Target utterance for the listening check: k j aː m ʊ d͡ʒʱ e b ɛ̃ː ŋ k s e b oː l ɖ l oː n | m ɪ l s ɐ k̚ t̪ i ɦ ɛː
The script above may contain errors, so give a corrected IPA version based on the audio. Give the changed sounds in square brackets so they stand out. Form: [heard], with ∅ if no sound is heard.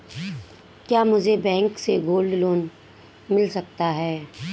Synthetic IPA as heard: k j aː m ʊ d͡ʒʱ e b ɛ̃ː ŋ k s e [ɡ] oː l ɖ l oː n | m ɪ l s ɐ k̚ t̪ [a] ɦ ɛː